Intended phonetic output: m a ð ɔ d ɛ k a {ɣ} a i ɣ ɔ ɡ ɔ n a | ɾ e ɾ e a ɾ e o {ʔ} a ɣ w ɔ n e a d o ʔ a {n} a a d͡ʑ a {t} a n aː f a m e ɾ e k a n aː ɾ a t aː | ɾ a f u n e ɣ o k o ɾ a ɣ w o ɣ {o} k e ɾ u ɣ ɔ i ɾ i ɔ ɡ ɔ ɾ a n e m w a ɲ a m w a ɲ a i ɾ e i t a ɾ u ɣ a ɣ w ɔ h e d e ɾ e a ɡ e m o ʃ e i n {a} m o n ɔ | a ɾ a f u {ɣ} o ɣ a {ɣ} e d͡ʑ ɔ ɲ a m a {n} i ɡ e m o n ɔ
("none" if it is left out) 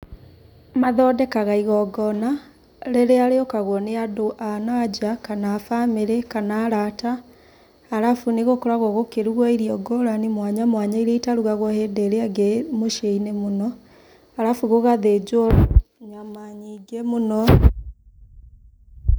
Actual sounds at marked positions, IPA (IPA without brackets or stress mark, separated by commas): ɣ, k, n, k, o, e, ɣ, ð, ɲ